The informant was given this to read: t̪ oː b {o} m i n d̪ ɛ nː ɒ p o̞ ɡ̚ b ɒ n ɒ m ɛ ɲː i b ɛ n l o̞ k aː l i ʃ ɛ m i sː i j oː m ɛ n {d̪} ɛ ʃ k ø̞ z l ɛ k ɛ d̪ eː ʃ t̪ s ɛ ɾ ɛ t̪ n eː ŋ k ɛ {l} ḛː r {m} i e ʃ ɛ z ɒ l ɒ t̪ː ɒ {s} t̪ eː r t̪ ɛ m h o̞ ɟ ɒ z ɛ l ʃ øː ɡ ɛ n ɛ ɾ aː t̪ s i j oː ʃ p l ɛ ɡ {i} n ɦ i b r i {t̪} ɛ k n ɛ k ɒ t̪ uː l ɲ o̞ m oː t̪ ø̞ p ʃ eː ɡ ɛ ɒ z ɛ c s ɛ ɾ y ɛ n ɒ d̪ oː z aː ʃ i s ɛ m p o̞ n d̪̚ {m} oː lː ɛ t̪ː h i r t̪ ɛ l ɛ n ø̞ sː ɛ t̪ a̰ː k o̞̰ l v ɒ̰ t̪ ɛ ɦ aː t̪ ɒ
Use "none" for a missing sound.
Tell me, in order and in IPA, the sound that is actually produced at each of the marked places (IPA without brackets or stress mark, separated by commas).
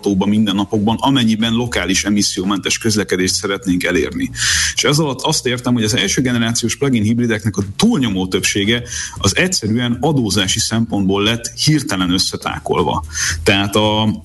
ɒ, t̪, l, n, s, i, d̪, b